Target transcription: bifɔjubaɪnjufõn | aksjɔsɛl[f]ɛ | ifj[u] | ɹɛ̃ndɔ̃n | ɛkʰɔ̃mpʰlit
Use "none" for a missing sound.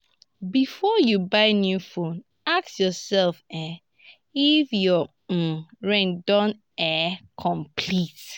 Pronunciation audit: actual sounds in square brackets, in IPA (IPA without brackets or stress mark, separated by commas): f, ɔ